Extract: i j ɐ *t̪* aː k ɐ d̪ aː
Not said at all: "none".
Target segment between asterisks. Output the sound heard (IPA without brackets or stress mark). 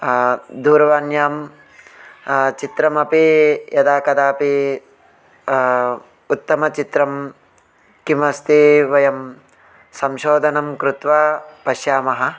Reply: d̪